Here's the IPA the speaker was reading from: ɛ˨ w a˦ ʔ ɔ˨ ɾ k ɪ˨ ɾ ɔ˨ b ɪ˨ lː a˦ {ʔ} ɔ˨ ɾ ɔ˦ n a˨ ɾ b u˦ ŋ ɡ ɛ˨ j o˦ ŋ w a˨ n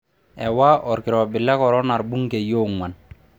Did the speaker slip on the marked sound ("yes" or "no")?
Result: yes